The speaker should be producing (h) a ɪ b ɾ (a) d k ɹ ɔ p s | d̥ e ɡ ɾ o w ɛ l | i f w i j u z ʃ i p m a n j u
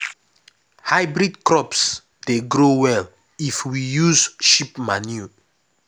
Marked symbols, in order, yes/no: yes, no

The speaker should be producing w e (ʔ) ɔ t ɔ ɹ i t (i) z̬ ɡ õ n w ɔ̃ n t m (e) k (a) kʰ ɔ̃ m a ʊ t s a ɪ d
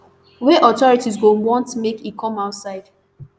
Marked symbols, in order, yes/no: yes, yes, yes, no

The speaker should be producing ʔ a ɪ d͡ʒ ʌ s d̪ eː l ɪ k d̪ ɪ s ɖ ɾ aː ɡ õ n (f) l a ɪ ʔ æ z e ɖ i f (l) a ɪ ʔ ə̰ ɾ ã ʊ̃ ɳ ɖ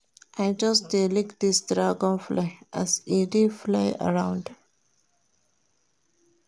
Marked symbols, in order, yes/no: yes, yes

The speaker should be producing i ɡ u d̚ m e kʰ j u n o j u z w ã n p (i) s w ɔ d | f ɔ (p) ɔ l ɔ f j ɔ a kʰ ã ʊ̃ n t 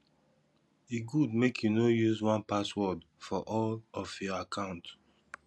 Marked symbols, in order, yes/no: no, no

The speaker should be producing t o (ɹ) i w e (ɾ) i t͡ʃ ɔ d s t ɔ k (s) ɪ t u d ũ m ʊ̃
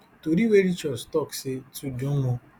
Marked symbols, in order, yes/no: no, yes, yes

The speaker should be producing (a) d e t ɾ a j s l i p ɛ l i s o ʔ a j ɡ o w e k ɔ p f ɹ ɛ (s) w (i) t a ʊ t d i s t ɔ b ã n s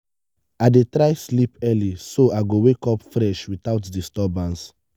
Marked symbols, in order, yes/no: yes, no, yes

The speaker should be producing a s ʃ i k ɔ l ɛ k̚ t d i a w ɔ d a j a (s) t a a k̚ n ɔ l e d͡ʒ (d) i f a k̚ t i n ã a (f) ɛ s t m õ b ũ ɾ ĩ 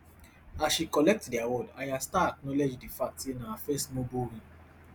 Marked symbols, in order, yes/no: yes, yes, yes

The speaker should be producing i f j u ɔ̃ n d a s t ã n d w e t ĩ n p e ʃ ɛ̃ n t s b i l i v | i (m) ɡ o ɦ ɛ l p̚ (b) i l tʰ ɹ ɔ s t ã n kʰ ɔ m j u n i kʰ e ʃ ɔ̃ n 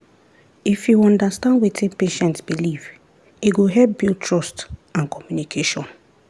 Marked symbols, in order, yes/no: no, yes

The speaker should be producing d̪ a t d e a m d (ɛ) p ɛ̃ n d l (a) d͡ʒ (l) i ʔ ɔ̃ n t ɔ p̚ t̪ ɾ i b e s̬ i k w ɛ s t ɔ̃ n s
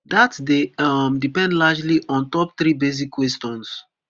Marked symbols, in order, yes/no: no, yes, yes

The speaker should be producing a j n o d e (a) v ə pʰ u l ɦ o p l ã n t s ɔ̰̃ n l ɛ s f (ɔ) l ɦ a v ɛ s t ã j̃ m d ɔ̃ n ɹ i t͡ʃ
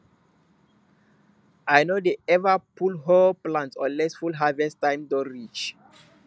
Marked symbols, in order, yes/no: no, no

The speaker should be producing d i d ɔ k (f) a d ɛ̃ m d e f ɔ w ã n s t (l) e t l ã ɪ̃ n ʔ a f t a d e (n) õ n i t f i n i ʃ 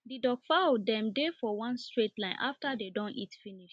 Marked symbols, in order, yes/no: yes, no, no

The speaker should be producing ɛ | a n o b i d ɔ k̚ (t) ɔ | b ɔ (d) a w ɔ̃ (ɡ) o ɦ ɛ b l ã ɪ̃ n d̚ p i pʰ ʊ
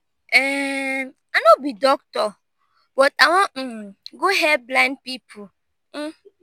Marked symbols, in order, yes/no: yes, no, yes

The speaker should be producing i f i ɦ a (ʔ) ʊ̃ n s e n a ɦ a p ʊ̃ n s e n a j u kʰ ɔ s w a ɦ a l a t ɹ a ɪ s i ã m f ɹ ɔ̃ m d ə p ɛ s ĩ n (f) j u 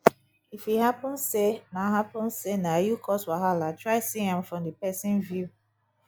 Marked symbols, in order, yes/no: no, no

